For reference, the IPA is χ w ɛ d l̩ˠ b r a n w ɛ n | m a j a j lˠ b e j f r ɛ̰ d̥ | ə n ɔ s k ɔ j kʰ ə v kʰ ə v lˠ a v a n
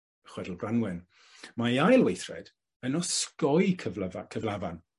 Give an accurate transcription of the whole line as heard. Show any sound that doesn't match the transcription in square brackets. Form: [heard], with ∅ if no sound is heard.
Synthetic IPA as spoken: χ w ɛ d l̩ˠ b r a n w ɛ n | m a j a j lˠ [w] e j [θ] r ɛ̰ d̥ | ə n ɔ s k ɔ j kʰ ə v kʰ ə v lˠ a v a n